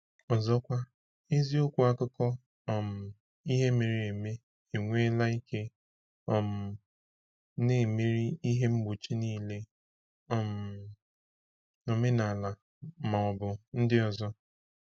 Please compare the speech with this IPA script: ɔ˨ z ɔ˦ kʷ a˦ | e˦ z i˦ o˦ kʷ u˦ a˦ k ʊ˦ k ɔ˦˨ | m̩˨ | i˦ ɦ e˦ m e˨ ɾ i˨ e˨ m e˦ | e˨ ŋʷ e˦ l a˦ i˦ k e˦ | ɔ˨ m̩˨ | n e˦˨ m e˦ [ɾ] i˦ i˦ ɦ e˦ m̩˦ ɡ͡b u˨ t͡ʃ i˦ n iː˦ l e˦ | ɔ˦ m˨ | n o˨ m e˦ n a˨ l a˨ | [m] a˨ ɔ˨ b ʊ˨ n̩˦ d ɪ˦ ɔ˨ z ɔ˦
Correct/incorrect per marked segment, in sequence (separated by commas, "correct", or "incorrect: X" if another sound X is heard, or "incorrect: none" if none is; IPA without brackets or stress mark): correct, correct